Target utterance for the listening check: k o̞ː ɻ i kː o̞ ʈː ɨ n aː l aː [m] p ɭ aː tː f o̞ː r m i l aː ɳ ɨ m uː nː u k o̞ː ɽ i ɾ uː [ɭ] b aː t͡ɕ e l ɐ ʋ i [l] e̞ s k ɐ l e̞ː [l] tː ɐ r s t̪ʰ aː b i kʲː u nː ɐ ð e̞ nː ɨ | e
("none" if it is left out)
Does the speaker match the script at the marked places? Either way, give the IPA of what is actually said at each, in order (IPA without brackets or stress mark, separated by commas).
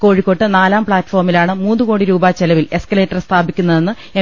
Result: m, none, l, none